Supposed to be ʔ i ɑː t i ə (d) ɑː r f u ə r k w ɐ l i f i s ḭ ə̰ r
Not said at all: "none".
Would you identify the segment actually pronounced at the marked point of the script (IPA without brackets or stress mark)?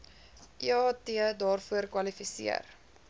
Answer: d